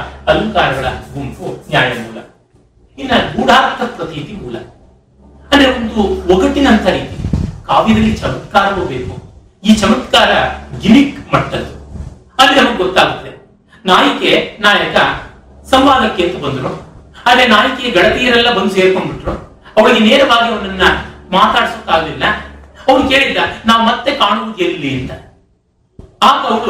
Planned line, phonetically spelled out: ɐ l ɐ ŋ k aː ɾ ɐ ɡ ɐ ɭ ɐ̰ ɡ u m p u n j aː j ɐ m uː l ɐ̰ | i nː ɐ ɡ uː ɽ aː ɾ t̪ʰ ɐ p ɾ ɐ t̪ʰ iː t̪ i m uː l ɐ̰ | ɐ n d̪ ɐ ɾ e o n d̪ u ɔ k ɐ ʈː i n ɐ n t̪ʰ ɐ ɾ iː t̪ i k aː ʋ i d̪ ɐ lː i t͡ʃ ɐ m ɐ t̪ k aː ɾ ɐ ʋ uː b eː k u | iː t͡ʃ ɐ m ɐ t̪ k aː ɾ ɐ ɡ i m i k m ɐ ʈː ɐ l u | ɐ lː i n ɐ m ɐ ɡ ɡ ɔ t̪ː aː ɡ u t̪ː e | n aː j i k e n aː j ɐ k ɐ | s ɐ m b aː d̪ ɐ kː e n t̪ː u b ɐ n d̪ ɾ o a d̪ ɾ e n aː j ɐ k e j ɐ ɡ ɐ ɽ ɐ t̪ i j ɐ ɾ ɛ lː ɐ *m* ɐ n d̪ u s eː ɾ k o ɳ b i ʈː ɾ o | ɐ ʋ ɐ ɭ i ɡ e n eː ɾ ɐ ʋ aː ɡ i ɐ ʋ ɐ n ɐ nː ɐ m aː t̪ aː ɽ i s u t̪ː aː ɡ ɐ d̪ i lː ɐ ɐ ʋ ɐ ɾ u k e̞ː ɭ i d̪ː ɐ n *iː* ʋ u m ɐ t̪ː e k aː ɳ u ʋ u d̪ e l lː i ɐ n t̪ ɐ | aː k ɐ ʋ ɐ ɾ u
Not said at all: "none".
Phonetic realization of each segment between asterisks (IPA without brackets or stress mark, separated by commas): b, aː